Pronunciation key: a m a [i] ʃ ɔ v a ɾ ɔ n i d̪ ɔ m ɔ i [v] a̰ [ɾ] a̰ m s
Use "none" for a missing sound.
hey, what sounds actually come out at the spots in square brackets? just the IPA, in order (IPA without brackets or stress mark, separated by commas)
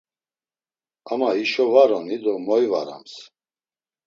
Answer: i, v, ɾ